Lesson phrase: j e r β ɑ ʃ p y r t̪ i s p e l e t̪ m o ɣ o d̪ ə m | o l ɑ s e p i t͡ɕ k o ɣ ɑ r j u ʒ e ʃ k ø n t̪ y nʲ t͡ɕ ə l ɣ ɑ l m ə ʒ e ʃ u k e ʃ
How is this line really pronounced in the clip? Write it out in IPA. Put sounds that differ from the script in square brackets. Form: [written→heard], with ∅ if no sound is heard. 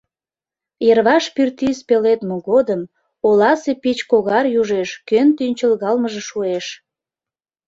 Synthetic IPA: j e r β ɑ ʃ p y r t̪ i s p e l e t̪ m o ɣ o d̪ ə m | o l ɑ s e p i t͡ɕ k o ɣ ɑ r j u ʒ e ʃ k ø n t̪ y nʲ t͡ɕ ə l ɣ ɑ l m ə ʒ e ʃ u [k→∅] e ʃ